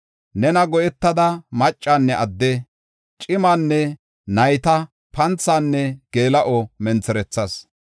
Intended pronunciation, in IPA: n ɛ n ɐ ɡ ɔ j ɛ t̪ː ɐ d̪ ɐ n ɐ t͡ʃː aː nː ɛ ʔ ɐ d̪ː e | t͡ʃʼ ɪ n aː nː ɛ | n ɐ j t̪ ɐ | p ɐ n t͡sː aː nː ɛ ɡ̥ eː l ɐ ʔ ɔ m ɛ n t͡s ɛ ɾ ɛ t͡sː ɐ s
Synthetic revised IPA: n ɛ n ɐ ɡ ɔ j ɛ t̪ː ɐ d̪ ɐ m ɐ t͡ʃʼː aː nː ɛ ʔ ɐ d̪ː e | t͡ʃʼ ɪ m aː nː ɛ | n ɐ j t̪ ɐ | p ɐ n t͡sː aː nː ɛ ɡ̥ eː l ɐ ʔ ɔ m ɛ n t͡s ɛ ɾ ɛ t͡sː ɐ s